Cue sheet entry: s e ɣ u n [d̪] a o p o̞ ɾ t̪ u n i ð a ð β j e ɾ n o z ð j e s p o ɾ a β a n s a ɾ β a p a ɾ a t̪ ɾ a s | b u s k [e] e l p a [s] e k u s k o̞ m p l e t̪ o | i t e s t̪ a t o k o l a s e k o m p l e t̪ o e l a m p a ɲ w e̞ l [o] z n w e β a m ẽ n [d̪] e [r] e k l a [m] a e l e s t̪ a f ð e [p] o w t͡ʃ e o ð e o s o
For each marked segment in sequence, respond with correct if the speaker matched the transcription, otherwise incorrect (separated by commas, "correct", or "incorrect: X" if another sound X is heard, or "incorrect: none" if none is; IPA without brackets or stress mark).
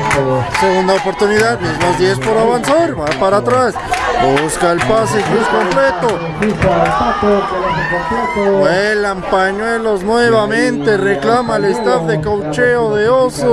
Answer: correct, incorrect: a, correct, correct, incorrect: t̪, correct, correct, incorrect: k